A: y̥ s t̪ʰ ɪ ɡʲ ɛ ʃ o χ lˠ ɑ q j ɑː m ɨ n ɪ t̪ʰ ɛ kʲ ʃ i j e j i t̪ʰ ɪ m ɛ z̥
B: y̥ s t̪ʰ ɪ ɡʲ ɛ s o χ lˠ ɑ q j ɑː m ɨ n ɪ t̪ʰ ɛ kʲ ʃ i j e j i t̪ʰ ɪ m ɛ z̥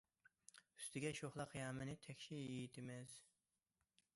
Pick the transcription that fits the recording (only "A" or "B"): A